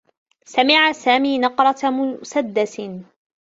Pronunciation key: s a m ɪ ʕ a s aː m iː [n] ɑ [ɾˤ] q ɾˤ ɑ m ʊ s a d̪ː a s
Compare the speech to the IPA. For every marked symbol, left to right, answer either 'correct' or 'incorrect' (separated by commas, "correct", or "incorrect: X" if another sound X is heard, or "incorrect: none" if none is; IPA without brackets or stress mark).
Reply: correct, incorrect: none